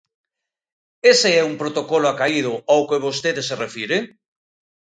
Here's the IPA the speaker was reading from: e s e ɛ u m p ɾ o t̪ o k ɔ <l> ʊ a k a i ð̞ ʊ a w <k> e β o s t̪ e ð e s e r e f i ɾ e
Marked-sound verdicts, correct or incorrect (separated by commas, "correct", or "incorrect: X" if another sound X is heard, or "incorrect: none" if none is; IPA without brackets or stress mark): correct, correct